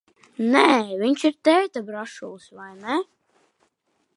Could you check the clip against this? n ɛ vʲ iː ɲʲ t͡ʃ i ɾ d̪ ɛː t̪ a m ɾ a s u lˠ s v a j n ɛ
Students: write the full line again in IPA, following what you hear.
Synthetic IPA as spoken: n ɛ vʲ i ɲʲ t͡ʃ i ɾ t̪ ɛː t̪ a b ɾ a ʃ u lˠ s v a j n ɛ